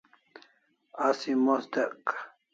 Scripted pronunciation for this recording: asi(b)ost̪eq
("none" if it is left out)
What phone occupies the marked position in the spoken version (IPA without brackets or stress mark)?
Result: m